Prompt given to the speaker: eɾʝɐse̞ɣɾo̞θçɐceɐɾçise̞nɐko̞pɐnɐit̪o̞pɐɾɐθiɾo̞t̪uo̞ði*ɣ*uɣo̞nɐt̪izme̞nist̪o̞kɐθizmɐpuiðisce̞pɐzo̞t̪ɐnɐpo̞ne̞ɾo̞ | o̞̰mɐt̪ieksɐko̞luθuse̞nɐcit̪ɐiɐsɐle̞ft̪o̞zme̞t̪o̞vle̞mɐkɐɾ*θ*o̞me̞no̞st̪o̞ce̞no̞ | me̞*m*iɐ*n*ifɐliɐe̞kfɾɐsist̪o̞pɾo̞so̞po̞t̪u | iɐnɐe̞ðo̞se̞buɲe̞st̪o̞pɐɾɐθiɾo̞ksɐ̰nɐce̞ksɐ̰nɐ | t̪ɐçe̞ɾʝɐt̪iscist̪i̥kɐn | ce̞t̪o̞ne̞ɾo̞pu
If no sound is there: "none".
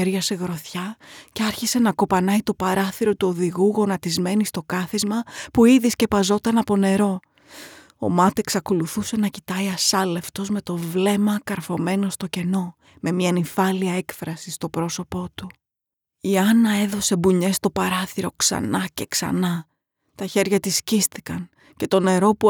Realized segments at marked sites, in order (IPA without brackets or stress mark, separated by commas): ɣ, f, m, n